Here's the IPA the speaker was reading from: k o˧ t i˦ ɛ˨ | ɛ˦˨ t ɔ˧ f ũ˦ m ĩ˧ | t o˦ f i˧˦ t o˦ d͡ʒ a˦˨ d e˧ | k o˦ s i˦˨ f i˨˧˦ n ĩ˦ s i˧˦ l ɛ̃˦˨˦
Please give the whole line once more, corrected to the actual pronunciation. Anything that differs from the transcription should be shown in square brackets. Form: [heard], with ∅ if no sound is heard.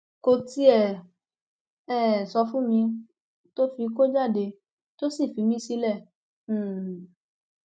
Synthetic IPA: k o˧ t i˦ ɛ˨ | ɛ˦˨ [s] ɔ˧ f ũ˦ m ĩ˧ | t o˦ f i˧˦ [k] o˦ d͡ʒ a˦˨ d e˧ | [t] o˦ s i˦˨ f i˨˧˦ [m] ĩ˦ s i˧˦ l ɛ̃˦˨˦